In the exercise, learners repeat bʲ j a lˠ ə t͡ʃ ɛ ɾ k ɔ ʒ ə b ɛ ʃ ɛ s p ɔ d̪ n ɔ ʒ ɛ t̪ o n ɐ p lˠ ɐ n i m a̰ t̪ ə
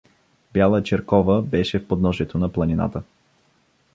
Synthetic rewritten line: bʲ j a lˠ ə t͡ʃ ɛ ɾ k ɔ v ə b ɛ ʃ ɛ f p o d̪ n ɔ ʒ ɛ t̪ o n ɐ p lˠ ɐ n i n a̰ t̪ ə